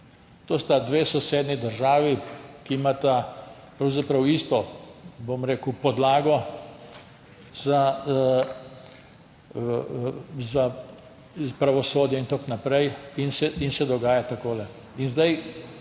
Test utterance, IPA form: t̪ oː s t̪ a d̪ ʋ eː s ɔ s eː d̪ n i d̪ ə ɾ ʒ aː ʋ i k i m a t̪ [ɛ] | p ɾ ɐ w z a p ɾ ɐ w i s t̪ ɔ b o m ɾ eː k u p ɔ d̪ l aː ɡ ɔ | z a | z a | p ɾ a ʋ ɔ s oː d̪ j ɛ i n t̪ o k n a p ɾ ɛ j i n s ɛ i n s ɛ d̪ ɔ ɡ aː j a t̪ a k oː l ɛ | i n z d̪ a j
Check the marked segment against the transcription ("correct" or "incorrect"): incorrect